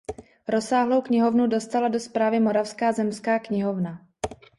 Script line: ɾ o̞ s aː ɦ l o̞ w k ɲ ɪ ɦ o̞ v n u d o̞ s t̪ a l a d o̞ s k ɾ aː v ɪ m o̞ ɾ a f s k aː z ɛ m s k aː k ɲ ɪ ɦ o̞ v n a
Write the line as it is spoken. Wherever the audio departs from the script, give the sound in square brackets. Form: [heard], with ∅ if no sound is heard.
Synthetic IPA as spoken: ɾ o̞ s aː ɦ l o̞ w k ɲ ɪ ɦ o̞ v n u d o̞ s t̪ a l a d o̞ s [p] ɾ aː v ɪ m o̞ ɾ a f s k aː z ɛ m s k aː k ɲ ɪ ɦ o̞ v n a

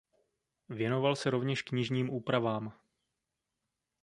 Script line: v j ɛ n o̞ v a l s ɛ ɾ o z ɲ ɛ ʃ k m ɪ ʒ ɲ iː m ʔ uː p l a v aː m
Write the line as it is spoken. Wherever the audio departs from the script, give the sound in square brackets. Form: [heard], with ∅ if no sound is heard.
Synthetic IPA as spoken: v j ɛ n o̞ v a l s ɛ ɾ o [v] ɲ ɛ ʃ k [ɲ] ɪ ʒ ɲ iː m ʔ uː p [ɾ] a v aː m

